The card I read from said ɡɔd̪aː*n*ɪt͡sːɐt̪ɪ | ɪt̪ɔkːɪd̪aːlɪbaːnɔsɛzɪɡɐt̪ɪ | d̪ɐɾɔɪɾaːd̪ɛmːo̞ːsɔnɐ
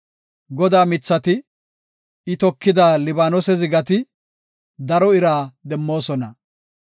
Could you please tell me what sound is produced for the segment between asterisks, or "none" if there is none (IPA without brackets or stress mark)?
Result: m